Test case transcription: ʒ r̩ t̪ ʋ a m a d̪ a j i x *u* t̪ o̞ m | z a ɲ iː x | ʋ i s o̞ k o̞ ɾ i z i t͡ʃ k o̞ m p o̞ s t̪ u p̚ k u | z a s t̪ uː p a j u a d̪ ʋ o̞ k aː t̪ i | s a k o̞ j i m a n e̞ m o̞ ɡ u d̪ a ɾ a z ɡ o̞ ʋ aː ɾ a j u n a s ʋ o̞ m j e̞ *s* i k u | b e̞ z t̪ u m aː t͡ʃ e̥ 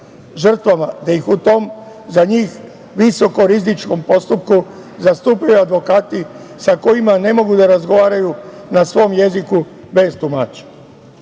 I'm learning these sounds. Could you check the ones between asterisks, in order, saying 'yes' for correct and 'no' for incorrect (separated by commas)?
yes, no